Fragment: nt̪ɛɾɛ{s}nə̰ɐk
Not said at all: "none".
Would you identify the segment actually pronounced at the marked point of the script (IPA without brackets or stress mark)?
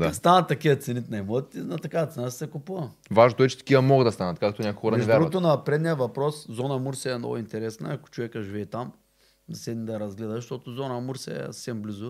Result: s